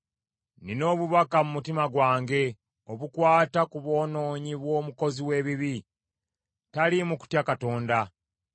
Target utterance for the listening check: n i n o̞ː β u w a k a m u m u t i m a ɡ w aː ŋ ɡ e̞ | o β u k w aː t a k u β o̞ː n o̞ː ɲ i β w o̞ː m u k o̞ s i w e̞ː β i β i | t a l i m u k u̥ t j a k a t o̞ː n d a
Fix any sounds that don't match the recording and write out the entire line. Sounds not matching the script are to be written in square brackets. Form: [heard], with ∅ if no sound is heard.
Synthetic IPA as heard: n i n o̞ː β u [β] a k a m u m u t i m a ɡ w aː ŋ ɡ e̞ | o β u k w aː t a k u β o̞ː n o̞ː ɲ i β w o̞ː m u k o̞ [z] i w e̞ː β i β i | t a l i m u k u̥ t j a k a t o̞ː n d a